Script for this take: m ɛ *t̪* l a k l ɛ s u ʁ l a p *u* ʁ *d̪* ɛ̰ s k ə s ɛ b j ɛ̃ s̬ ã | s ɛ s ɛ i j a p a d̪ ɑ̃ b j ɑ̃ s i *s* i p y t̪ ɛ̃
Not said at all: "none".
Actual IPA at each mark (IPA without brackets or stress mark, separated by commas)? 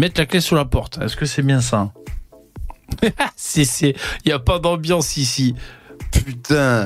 t̪, ɔ, t̪, s